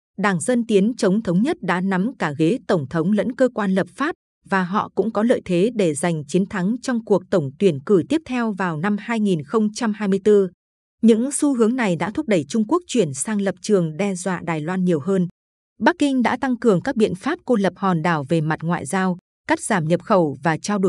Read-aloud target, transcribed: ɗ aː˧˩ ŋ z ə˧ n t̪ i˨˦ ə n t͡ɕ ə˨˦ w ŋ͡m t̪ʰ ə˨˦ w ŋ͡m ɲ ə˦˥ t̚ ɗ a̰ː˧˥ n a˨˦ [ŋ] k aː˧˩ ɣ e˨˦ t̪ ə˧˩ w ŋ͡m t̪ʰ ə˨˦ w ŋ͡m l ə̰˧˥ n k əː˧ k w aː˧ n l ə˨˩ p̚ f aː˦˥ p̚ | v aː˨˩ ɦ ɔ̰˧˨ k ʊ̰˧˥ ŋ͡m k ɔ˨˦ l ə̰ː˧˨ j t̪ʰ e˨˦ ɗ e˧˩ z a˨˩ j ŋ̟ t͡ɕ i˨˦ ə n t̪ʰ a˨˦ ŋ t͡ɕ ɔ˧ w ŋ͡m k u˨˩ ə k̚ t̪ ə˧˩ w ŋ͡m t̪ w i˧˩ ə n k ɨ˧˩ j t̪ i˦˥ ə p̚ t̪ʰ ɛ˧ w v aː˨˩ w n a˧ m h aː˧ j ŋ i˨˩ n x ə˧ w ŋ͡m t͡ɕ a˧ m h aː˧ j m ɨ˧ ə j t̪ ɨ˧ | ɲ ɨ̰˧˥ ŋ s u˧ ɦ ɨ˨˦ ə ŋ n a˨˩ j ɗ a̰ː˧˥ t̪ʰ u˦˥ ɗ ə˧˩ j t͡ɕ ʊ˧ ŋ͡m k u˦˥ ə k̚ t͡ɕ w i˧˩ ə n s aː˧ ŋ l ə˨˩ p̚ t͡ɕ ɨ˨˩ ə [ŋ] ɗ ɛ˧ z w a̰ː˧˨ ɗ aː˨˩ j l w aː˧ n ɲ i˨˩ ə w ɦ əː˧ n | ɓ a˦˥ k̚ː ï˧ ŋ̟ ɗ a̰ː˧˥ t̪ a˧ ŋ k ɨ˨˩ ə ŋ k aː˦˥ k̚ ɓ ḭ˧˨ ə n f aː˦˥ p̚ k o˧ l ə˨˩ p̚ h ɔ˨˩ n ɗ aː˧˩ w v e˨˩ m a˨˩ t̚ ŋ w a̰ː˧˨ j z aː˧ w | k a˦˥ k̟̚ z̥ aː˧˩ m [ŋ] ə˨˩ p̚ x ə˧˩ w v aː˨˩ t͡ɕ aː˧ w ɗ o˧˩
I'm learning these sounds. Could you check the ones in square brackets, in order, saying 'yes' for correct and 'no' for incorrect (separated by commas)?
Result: no, yes, no